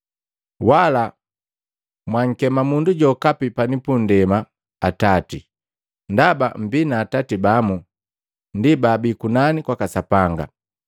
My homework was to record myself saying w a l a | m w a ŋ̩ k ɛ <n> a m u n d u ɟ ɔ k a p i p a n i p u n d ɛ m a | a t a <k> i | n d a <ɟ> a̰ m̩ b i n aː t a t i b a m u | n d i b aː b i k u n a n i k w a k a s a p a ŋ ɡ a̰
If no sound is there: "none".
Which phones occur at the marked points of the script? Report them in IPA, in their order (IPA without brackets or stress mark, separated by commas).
m, t, b